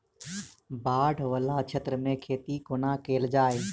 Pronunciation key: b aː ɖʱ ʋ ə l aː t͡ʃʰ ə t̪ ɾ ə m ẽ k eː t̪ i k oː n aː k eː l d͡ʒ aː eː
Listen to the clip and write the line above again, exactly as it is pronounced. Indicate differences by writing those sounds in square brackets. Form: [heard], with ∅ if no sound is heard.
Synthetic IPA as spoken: b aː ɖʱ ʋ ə l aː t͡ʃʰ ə t̪ ɾ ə m ẽ [kʰ] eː t̪ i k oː n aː k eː l d͡ʒ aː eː